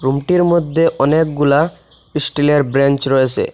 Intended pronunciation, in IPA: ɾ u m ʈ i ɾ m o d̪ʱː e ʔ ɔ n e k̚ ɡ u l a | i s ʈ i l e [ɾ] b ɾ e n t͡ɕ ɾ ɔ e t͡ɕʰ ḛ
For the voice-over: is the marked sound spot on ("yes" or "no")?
yes